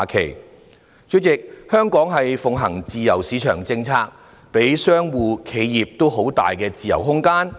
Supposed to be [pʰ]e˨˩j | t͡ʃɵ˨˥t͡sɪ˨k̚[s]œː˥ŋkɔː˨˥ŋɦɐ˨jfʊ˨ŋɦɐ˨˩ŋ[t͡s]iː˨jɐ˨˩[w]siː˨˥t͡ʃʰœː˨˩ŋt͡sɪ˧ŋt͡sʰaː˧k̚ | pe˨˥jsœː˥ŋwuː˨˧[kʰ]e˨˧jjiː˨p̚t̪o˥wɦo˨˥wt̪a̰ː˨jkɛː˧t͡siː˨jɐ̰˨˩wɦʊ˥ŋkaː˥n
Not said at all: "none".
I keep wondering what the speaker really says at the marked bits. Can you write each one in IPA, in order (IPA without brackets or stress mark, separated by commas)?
kʰ, h, t͡s, w, kʰ